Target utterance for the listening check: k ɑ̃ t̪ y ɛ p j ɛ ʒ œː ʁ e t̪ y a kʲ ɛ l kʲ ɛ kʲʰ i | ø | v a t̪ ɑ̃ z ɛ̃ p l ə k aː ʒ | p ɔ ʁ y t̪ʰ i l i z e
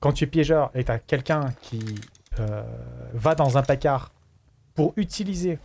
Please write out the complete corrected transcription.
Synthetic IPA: k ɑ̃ t̪ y ɛ p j ɛ ʒ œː ʁ e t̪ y a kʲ ɛ l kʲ ɛ̃ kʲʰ i | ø | v a d̪ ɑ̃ z ɛ̃ p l a k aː ʁ | p u ʁ y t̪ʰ i l i z e